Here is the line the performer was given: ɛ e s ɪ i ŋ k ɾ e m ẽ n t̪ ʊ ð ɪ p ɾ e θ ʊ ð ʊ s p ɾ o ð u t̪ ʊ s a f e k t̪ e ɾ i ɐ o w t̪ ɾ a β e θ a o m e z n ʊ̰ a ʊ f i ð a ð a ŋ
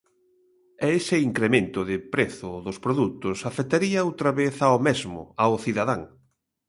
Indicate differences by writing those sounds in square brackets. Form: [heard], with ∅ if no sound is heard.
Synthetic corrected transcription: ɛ e s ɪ i ŋ k ɾ e m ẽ n t̪ ʊ ð ɪ p ɾ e θ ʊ ð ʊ s p ɾ o ð u t̪ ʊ s a f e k t̪ [a] ɾ i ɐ o w t̪ ɾ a β e θ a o m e z [m] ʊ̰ a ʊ [θ] i ð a ð a ŋ